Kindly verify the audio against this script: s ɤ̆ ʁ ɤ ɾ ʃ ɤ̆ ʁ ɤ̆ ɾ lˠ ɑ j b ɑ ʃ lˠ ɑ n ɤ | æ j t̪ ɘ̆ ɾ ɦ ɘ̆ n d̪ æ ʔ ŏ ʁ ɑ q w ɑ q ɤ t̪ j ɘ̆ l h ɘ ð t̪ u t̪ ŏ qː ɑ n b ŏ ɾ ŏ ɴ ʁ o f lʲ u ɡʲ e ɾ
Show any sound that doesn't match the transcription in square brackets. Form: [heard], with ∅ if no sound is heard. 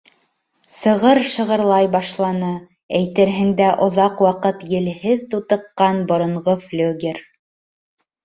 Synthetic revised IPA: s ɤ̆ ʁ ɤ ɾ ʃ ɤ̆ ʁ ɤ̆ ɾ lˠ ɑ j b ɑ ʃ lˠ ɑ n ɤ | æ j t̪ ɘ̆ ɾ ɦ ɘ̆ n d̪ æ ʔ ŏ [ð] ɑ q w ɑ q ɤ t̪ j ɘ̆ l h ɘ ð t̪ u t̪ [ɤ̆] qː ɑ n b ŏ ɾ ŏ ɴ ʁ o f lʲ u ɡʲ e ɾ